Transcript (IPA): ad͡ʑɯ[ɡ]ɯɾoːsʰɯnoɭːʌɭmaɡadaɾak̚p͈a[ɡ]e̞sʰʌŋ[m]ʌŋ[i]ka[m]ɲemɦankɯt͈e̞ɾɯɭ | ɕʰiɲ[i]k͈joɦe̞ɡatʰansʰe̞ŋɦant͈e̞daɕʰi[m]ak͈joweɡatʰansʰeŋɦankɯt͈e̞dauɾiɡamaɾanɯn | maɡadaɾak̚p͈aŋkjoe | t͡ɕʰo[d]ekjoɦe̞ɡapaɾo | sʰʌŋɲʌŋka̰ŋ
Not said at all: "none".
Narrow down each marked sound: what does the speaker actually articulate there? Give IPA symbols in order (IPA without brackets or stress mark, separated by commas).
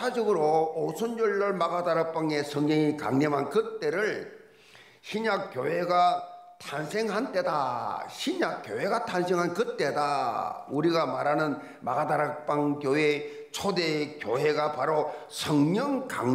ɡ, ŋ, ɲ, i, ŋ, a, ɲ, d